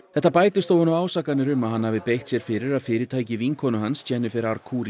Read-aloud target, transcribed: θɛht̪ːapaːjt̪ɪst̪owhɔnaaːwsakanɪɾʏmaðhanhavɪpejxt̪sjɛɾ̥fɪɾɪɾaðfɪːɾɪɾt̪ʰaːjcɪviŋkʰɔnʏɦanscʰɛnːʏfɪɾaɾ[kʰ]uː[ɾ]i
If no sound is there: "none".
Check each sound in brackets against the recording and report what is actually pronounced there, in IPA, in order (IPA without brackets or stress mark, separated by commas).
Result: kʰ, ɾ